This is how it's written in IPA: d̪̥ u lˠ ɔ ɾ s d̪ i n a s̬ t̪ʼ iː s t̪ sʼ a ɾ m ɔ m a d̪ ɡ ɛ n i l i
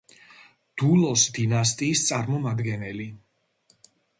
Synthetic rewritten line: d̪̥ u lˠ ɔ s d̪ i n a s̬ t̪ʼ iː s t̪ sʼ a ɾ m ɔ m a d̪ ɡ ɛ n ɛ l i